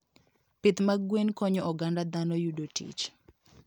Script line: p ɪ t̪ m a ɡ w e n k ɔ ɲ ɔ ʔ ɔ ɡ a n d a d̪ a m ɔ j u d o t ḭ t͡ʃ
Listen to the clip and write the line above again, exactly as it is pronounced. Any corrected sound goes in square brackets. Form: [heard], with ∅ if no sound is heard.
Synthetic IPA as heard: p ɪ t̪ m a ɡ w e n k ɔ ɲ ɔ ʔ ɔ ɡ a n d a d̪ a [n] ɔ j u d o t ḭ t͡ʃ